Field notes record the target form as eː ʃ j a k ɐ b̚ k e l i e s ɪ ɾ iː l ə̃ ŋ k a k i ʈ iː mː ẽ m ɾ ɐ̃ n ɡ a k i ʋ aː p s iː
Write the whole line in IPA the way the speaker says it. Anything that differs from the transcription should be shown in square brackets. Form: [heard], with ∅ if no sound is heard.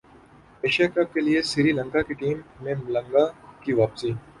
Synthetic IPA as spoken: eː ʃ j a k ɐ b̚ k e l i e s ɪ ɾ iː l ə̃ ŋ k a k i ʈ iː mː ẽ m [l] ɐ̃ [ŋ] ɡ a k i ʋ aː p s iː